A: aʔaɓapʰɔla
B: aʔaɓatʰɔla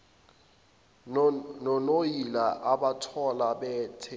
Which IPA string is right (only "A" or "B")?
B